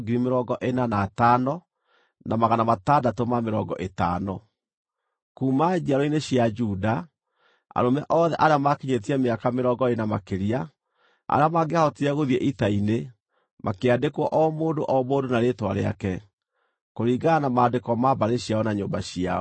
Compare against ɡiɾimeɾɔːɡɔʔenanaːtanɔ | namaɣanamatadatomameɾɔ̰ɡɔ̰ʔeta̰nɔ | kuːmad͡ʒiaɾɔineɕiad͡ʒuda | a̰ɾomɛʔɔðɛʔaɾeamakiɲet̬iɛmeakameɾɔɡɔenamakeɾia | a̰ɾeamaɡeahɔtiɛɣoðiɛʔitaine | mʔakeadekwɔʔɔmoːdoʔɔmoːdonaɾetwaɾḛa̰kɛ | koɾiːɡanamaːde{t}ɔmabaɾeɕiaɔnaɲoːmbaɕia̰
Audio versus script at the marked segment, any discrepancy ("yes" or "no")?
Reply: yes